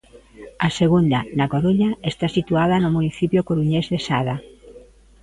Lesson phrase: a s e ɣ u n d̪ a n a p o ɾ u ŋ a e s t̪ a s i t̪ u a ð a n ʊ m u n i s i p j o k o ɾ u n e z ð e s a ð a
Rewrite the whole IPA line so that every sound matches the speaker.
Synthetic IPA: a s e ɣ u n d̪ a n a k o ɾ u ɲ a e s t̪ a s i t̪ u a ð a n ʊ m u n i θ i p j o k o ɾ u ɲ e z ð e s a ð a